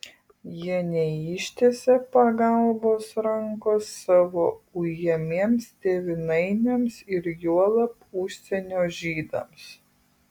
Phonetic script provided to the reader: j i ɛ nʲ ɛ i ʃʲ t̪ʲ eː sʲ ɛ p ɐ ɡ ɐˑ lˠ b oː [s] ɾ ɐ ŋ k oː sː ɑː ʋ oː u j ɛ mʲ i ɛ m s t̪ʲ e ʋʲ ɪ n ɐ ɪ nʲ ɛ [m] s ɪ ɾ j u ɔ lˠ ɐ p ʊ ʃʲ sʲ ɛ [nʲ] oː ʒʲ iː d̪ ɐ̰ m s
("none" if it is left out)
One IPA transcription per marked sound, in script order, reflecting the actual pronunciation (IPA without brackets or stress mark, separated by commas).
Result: s, m, nʲ